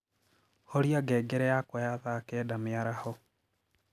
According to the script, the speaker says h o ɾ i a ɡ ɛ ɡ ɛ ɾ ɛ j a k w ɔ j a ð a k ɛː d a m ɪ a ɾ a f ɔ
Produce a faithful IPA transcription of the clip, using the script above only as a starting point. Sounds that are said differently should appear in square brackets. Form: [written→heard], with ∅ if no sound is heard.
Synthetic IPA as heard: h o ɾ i a ɡ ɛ ɡ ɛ ɾ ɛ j a k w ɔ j a ð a k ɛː d a m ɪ a ɾ a [f→h] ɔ

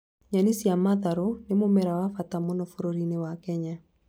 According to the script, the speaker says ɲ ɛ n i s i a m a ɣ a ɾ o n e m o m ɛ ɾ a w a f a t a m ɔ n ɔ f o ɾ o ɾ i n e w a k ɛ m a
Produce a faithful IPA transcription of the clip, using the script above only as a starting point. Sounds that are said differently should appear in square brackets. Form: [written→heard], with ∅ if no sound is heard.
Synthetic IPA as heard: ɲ [ɛ→a] n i s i a m a [ɣ→ð] a ɾ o n e m o m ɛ ɾ a w a f a t a m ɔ n ɔ f o ɾ o ɾ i n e w a k ɛ [m→ɲ] a

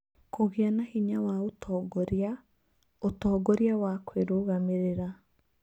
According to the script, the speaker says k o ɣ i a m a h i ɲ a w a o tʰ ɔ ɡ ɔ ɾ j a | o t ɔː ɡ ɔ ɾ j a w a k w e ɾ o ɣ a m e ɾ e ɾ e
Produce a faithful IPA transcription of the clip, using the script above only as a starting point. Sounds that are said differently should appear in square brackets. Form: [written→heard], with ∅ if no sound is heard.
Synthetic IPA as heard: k o ɣ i a [m→n] a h i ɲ a w a o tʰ ɔ ɡ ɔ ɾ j a | o t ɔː ɡ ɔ ɾ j a w a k w e ɾ o ɣ a m e ɾ e ɾ [e→a]

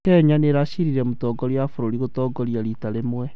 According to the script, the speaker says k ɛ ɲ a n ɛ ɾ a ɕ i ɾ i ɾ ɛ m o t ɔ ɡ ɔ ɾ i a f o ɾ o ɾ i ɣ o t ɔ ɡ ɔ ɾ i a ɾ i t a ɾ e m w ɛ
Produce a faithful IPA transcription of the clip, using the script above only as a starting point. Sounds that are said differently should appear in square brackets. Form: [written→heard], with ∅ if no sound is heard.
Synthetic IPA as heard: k ɛ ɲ a n [ɛ→e] ɾ a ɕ i ɾ i ɾ ɛ m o t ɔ ɡ ɔ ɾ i a f o ɾ o ɾ i ɣ o t ɔ ɡ ɔ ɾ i a ɾ i t a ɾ e m w ɛ

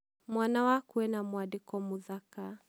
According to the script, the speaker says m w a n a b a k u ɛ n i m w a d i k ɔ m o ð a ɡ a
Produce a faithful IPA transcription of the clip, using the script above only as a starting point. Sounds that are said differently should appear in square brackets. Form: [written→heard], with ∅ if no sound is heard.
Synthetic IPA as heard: m w a n a [b→w] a k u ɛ n [i→a] m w a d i k ɔ m [o→u] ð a [ɡ→k] a

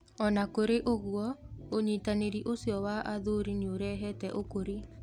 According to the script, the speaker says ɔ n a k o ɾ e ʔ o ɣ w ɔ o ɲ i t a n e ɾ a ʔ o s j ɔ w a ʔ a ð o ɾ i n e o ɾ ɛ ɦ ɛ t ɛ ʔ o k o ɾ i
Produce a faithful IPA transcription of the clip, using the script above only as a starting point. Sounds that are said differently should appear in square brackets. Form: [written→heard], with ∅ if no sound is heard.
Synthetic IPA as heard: ɔ n a k o ɾ e ʔ o ɣ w ɔ o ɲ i t a n e ɾ [a→i] ʔ o s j ɔ w a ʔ a ð o ɾ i n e o ɾ ɛ ɦ ɛ t ɛ ʔ o k o ɾ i

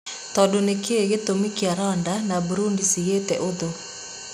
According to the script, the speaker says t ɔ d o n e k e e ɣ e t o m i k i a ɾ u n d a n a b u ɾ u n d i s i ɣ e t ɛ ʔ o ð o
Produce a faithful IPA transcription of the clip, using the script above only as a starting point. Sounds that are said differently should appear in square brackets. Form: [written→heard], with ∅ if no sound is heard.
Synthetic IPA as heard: t ɔ d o n e k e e ɣ e t o m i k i a ɾ [u→ɔ] n d a n a b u ɾ u n d i s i ɣ e t ɛ ʔ o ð o

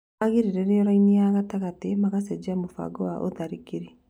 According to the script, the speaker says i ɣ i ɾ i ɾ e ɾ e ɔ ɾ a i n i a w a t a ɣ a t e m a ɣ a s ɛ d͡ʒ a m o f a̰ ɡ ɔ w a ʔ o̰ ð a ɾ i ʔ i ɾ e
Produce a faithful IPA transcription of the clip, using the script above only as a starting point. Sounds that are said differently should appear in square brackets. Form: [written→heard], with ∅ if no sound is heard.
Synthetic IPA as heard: [i→a] ɣ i ɾ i ɾ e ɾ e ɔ ɾ a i n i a [w→ɣ] a t a ɣ a t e m a ɣ a s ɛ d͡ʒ a m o f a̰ ɡ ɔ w a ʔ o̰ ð a ɾ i [ʔ→k] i ɾ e

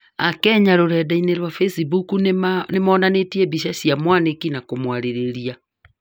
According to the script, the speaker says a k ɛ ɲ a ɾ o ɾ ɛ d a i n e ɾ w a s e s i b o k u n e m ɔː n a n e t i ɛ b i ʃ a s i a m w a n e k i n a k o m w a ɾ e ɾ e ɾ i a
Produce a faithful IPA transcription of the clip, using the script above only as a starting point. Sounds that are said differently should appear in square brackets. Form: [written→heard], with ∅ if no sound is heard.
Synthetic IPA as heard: a k ɛ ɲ a ɾ o ɾ ɛ d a i n e ɾ w a [s→f] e s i b [o→u] k u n e m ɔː n a n e t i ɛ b i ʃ a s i a m w a n e k i n a k o m w a ɾ e ɾ e ɾ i a

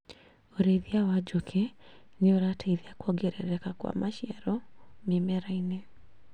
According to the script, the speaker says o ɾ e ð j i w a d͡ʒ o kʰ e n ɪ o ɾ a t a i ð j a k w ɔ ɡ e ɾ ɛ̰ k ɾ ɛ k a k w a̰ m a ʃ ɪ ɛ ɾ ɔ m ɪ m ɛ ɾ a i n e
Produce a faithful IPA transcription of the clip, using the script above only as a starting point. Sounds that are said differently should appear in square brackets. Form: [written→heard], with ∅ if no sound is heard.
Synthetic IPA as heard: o ɾ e ð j [i→a] w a d͡ʒ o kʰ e n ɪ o ɾ a t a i ð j a k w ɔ ɡ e ɾ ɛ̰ [k→∅] ɾ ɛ k a k w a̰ m a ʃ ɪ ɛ ɾ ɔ m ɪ m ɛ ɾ a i n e

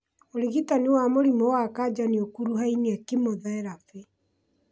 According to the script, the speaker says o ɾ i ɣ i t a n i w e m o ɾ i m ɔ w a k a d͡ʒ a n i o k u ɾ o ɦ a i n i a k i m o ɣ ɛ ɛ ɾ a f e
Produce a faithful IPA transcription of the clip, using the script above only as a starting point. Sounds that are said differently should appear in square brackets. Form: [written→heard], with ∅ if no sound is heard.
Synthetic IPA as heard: o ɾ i ɣ i t a n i w [e→a] m o ɾ i m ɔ w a k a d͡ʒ a n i o k u ɾ [o→u] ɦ a i n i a k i m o [ɣ→ð] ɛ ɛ ɾ a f e

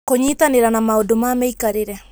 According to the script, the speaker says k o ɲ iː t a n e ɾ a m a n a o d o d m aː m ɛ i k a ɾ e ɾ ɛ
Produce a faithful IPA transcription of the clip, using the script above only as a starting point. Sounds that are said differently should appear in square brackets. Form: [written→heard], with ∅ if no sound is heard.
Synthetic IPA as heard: k o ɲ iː t a n e ɾ a [m→n] a [n→m] a o d o [d→∅] m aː m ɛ i k a ɾ e ɾ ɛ

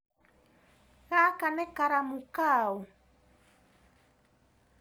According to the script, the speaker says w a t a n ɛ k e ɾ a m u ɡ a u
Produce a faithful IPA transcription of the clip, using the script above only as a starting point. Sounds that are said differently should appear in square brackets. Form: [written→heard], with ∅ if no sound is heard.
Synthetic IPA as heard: [w→ɣ] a [t→k] a n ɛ k [e→a] ɾ a m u [ɡ→k] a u

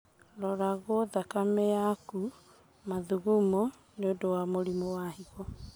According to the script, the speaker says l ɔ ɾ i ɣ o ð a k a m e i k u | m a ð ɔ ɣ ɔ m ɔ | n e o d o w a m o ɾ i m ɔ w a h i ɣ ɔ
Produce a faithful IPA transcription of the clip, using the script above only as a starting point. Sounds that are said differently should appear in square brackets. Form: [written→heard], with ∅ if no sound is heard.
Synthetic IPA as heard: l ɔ ɾ [i→a] ɣ o ð a k a m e [i→a] k u | m a ð [ɔ→u] ɣ [ɔ→u] m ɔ | n e o d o w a m o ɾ i m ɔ w a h i ɣ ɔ

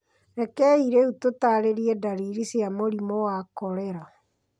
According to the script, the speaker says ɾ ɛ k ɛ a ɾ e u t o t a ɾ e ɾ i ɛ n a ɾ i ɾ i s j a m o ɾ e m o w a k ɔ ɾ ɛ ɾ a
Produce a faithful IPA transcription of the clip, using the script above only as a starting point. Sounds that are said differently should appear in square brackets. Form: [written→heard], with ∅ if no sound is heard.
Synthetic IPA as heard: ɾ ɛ k ɛ [a→i] ɾ e u t o t a ɾ e ɾ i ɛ [n→d] a ɾ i ɾ i s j a m o ɾ [e→i] m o w a k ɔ ɾ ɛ ɾ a

